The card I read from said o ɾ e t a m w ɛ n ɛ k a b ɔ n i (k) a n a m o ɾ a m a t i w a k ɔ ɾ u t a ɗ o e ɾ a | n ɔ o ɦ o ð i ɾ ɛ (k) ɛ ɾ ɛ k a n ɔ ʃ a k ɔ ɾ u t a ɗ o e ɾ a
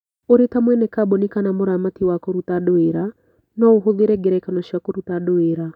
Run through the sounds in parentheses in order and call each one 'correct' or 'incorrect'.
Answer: correct, incorrect

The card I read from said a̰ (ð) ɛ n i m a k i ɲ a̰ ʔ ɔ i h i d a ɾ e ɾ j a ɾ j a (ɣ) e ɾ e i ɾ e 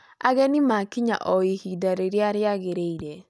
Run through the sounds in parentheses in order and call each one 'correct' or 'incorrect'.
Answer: incorrect, correct

